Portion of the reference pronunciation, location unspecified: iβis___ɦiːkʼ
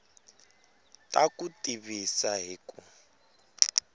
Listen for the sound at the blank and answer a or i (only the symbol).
a